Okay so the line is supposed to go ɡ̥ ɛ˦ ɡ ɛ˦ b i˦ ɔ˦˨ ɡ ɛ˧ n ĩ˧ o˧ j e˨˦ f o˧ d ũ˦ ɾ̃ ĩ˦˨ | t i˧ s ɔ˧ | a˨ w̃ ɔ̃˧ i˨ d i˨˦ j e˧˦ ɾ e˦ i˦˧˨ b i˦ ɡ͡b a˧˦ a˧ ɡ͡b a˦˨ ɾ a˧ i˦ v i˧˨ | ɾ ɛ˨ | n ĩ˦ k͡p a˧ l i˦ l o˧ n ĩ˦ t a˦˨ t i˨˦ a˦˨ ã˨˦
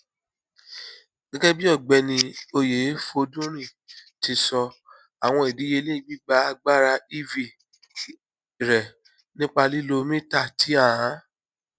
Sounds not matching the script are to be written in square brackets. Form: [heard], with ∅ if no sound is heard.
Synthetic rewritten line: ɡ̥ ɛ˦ ɡ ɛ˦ b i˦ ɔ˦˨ [ɡ͡b] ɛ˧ n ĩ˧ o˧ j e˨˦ f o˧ d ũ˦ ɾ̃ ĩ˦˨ | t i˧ s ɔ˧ | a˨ w̃ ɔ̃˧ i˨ d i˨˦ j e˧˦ [l] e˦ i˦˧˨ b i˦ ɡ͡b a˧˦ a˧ ɡ͡b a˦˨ ɾ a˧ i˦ v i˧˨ | ɾ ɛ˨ | n ĩ˦ k͡p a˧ l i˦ l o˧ [m] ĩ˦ t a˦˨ t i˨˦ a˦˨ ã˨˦